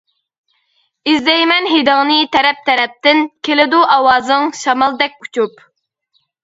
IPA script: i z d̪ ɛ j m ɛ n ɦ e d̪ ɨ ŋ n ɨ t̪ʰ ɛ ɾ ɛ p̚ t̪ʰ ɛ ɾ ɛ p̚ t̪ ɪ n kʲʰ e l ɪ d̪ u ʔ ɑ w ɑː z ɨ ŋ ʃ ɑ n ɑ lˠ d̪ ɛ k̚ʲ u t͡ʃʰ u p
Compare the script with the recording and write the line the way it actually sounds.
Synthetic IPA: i z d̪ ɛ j m ɛ n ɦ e d̪ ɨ ŋ n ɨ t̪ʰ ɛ ɾ ɛ p̚ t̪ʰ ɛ ɾ ɛ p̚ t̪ ɪ n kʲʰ e l ɪ d̪ u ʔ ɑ w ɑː z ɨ ŋ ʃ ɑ m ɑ lˠ d̪ ɛ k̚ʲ u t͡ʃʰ u p